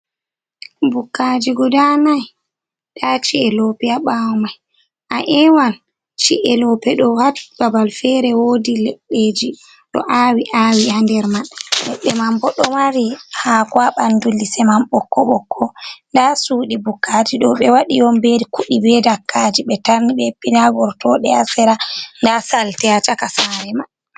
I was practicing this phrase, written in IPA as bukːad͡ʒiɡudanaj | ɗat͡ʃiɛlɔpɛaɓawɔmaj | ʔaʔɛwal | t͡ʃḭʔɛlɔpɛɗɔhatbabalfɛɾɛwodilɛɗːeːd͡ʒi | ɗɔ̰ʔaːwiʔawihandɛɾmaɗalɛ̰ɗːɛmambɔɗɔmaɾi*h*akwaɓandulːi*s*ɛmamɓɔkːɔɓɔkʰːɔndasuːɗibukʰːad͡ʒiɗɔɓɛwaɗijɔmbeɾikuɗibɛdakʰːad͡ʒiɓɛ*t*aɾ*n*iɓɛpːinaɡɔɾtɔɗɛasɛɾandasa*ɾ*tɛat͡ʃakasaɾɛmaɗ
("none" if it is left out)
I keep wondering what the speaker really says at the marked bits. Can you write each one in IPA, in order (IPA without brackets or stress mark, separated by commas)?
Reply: h, s, t, n, l